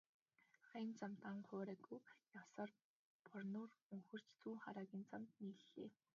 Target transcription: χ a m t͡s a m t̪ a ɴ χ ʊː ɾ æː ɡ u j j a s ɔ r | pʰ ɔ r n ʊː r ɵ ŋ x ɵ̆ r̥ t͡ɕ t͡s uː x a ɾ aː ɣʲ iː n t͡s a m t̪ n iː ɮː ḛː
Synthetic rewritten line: χ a n t͡s a m t̪ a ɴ χ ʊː ɾ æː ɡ u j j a s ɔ r | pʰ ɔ r n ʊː r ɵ ŋ x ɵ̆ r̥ t͡ɕ t͡s uː χ a ɾ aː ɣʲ iː n t͡s a m t̪ n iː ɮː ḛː

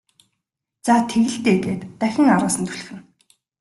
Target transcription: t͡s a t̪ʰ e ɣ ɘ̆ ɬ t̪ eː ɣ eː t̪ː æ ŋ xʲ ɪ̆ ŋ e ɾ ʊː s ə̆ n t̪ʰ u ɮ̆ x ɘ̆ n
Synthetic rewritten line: t͡s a t̪ʰ e ɣ ɘ̆ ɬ t̪ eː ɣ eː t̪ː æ xʲ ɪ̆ ŋ a ɾ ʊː s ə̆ n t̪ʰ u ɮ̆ x ɘ̆ n

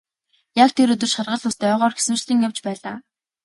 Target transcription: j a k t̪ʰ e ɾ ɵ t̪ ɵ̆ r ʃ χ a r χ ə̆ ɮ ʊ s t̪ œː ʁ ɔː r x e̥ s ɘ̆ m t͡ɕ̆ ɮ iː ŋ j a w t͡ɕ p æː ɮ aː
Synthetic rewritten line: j a k t̪ʰ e ɾ ɵ t̪ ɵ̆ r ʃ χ a r ʁ ə̆ ɮ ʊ s t̪ œː ʁ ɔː r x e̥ s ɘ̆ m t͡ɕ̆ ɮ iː ŋ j a w t͡ɕ p æː ɮ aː

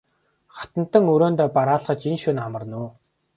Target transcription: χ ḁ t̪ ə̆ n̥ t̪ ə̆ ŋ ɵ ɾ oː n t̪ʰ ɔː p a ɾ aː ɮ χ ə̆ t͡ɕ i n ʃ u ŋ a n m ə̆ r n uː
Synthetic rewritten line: χ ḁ t̪ ə̆ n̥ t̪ ə̆ ŋ ɵ ɾ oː n t̪ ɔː p a ɾ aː ɮ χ ə̆ t͡ɕ i n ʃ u n a m ə̆ r n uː

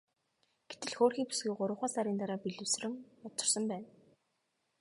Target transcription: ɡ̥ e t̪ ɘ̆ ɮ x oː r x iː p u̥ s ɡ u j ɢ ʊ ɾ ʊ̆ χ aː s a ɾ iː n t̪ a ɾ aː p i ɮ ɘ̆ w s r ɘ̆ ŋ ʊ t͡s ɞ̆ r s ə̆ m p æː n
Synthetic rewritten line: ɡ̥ e t̪ ɘ̆ ɮ x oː r x iː p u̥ s ɡ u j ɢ ʊ ɾ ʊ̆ χ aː s a ɾ iː n t̪ a ɾ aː p i ɮ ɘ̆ w s r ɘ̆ ŋ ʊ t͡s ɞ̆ r s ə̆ m p æː n

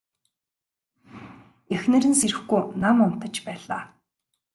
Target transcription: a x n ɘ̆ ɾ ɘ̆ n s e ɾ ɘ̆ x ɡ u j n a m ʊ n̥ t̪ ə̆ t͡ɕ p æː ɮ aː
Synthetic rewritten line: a x n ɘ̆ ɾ ɘ̆ n s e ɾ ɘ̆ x ɡ u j n a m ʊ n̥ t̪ ə̆ t͡ɕ p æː ɮ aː

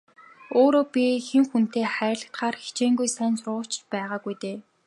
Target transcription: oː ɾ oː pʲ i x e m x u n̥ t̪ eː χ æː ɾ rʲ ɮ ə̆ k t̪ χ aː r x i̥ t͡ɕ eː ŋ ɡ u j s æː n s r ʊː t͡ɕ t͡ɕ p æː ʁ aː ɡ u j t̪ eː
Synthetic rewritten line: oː ɾ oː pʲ i x e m x u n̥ t̪ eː χ æː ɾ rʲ ɮ ə̆ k t̪ χ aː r x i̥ t͡ɕ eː ŋ ɡ u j s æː n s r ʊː t͡ɕ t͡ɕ p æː ʁ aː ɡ u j t̪ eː

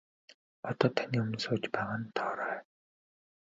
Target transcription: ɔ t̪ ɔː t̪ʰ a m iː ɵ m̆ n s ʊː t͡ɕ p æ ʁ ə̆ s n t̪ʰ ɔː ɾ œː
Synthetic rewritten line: ɔ t̪ ɔː t̪ʰ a n iː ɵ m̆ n s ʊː t͡ɕ p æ ʁ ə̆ n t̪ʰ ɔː ɾ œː

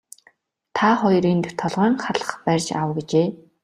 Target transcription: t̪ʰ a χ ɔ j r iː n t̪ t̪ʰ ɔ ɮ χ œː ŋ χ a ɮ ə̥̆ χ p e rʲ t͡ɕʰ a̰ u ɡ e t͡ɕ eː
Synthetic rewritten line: t̪ʰ a χ ɔ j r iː n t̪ t̪ʰ ɔ ɮ ʁ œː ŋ χ a ɮ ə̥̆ χ p æ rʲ t͡ɕ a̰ w ɡ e t͡ɕ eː

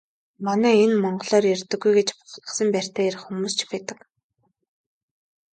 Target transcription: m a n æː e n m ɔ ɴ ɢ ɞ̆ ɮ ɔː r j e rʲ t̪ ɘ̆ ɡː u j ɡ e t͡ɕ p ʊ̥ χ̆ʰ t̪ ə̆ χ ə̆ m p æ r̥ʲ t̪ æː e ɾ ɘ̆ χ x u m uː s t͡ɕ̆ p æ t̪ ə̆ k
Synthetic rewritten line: m a n æː e n m ɔ ɴ ɢ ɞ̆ ɮ ɔː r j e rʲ t̪ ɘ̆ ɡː u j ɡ e t͡ɕ p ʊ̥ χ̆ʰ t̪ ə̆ s ə̆ m p æ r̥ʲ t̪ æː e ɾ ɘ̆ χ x u m uː s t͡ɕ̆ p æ t̪ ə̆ k

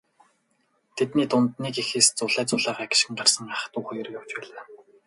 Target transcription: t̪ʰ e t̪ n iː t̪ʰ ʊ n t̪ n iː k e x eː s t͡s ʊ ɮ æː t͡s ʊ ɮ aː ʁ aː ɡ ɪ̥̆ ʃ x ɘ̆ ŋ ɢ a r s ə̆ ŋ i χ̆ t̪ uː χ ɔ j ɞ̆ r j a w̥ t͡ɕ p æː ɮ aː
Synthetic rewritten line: t̪ʰ e t̪ n iː t̪ ʊ n t̪ n iː k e x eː s t͡s ʊ ɮ æː t͡s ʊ ɮ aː ʁ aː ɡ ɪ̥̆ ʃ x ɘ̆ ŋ ɢ a r s ə̆ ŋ a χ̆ t̪ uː χ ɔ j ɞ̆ r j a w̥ t͡ɕ p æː ɮ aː

